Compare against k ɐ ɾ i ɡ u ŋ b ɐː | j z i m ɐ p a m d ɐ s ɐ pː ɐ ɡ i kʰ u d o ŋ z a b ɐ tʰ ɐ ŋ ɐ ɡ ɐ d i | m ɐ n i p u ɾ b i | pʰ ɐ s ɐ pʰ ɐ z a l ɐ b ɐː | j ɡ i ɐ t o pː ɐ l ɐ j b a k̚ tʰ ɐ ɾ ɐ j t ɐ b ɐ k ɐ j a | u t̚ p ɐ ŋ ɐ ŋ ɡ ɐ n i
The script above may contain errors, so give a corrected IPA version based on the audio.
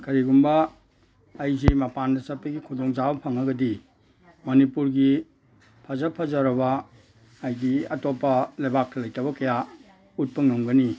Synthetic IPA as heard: k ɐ ɾ i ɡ u m b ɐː | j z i m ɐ p a n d ɐ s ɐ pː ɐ ɡ i kʰ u d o ŋ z a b ɐ pʰ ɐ ŋ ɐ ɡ ɐ d i | m ɐ n i p u ɾ ɡ i | pʰ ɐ z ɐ pʰ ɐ z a ɾ ɐ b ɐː | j ɡ i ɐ t o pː ɐ l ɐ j b a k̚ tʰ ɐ l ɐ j t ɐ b ɐ k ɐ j a | u t̚ p ɐ ŋ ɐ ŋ ɡ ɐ n i